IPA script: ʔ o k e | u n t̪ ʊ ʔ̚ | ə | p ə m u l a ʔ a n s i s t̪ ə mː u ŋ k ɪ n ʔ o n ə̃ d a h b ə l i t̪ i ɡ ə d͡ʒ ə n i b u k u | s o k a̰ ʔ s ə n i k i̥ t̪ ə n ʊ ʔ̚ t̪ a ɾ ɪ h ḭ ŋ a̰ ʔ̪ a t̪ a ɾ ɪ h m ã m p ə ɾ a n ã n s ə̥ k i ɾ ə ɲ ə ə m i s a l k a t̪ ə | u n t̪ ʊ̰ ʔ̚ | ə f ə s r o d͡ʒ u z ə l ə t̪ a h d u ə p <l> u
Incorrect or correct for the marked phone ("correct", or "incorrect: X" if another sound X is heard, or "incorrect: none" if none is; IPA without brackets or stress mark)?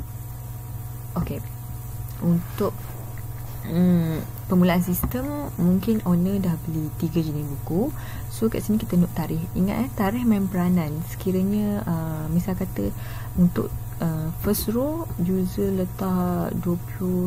correct